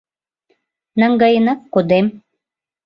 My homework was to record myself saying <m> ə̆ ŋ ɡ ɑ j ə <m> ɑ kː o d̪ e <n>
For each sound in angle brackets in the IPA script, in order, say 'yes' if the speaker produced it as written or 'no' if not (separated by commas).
no, no, no